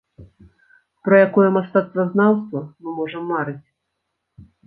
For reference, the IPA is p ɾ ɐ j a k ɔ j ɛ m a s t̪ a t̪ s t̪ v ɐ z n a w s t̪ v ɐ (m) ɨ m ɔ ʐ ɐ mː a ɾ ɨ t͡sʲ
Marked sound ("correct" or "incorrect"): correct